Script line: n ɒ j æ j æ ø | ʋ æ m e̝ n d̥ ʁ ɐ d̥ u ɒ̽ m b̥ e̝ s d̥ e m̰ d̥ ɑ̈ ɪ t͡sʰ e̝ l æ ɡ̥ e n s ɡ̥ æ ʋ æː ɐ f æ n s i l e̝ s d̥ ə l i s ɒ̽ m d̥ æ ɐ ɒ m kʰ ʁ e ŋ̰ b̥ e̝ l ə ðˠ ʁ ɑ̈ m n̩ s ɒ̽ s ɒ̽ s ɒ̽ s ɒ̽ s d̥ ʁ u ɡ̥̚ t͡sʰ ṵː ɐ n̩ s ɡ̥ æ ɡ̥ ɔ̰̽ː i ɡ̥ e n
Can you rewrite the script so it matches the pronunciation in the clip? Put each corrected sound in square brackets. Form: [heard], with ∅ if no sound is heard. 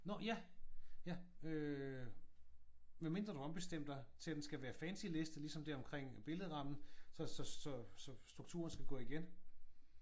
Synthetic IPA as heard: n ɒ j æ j æ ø | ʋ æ m e̝ n d̥ ʁ ɐ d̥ u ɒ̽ m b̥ e̝ s d̥ e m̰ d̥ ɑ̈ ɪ t͡sʰ e̝ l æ [d̥] e n s ɡ̥ æ ʋ æː ɐ f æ n s i l e̝ s d̥ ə l i s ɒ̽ m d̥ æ ɐ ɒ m kʰ ʁ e ŋ̰ b̥ e̝ l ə ðˠ ʁ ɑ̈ m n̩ s ɒ̽ s ɒ̽ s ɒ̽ s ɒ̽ s d̥ ʁ u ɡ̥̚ t͡sʰ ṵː ɐ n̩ s ɡ̥ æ ɡ̥ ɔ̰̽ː i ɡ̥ e n